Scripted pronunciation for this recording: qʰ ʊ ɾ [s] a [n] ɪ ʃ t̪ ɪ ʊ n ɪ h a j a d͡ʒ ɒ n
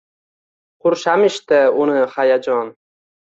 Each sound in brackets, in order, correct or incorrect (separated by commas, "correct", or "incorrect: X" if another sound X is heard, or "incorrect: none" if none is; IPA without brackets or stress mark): incorrect: ʃ, incorrect: m